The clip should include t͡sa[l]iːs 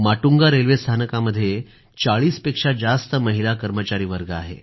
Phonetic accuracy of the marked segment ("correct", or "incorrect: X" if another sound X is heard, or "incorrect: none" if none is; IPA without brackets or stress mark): incorrect: ɭ